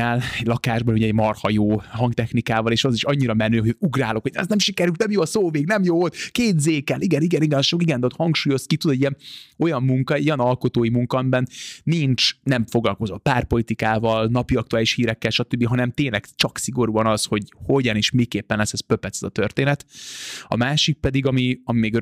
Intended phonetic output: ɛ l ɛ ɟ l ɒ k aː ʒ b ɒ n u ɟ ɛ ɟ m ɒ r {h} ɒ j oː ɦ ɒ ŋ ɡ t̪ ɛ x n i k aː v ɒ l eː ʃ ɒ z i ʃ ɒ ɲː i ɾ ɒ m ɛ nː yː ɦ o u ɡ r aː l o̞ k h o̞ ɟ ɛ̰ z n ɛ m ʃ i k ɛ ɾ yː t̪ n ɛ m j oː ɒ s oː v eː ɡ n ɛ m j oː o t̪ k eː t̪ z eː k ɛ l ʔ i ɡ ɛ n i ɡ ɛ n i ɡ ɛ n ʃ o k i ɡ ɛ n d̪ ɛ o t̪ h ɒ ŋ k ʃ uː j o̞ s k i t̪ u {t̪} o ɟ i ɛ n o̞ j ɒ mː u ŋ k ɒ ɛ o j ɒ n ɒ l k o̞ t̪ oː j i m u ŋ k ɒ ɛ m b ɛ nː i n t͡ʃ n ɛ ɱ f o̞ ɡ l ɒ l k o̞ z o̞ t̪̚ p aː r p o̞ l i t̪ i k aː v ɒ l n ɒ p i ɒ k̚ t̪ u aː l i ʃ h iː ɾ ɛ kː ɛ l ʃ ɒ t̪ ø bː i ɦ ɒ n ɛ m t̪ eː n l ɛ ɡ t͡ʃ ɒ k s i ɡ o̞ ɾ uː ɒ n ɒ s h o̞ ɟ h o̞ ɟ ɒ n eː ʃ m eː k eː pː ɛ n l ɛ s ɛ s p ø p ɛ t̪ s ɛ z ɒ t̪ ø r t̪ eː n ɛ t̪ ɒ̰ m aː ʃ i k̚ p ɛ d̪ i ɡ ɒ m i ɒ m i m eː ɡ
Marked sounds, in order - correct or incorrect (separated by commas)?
correct, incorrect